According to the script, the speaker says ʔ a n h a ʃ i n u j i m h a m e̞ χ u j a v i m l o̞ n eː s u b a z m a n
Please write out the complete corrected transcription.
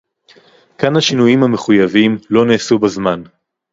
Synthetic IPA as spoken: k a n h a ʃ i n u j i m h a m e̞ χ u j a v i m l o̞ n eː s u b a z m a n